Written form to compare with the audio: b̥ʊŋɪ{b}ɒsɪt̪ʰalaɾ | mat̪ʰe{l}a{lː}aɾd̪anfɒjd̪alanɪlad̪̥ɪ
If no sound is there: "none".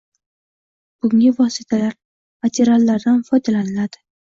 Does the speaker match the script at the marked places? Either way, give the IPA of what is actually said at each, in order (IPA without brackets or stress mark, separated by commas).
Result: v, ɾ, lː